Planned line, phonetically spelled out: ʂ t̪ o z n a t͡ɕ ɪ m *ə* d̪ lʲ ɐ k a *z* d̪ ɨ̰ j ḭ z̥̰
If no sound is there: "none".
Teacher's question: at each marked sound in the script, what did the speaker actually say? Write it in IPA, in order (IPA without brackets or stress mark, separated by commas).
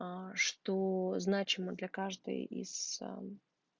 ə, ʐ